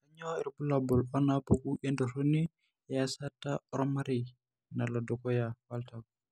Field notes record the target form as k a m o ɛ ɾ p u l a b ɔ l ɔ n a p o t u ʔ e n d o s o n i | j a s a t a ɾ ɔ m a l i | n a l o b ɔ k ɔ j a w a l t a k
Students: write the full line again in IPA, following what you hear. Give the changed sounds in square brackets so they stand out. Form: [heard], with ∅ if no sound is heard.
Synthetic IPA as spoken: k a [ɲ] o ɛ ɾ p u l a b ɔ l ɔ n a p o [k] u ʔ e n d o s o n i | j a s a t a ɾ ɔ m a [ɾ] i | n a l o [d] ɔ k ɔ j a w a l t a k

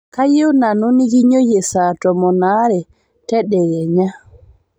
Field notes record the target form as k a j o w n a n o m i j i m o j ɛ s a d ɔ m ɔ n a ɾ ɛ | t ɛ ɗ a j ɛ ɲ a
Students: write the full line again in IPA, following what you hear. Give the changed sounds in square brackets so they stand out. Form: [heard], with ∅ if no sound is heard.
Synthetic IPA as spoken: k a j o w n a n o [n] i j i [ɲ] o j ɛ s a [t] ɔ m ɔ n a ɾ ɛ | t ɛ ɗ [ɛ] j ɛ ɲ a

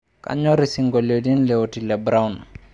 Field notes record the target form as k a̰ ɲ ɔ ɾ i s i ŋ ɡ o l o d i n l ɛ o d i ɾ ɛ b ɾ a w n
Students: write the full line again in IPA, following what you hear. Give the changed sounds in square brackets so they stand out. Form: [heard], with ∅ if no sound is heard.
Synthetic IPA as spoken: k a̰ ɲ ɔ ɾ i s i ŋ ɡ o l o d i n l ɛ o [t] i [l] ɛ b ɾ a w n

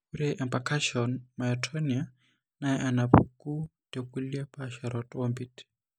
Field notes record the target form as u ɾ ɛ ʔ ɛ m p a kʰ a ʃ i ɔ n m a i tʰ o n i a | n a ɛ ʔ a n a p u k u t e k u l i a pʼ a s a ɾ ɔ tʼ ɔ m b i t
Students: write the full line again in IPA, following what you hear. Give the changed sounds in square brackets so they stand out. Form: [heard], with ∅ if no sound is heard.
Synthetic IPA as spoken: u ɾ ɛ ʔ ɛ m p a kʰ a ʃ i ɔ n m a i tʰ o n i a | n a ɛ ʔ a n a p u k u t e k u l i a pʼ a [ʃ] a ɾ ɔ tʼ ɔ m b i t

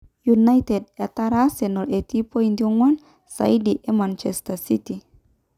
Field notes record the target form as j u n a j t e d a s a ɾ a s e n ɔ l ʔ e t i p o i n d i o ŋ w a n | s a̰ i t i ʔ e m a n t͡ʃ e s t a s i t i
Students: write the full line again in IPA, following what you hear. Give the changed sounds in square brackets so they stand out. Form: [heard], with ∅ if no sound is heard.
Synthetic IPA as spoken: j u n a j t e d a [t] a ɾ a s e n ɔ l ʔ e t i p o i n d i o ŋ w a n | s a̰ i [d] i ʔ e m a n t͡ʃ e s t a s i t i

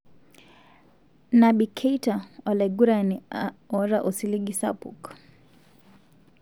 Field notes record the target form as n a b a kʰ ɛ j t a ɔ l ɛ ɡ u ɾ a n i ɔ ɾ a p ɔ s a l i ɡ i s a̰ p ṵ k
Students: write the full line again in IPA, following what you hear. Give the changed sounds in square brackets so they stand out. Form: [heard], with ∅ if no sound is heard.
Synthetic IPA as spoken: n a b [i] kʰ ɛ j t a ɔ l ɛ ɡ u ɾ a n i ɔ ɾ a [ʔ] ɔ s [i] l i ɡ i s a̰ p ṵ k

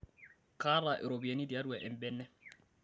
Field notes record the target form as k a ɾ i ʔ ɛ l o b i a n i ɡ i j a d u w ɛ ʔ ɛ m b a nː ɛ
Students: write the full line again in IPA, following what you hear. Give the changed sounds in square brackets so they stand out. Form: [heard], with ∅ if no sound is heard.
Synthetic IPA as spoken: k a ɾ [a] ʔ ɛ [ɾ] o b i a n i [d] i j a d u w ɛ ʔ ɛ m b [ɛ] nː ɛ

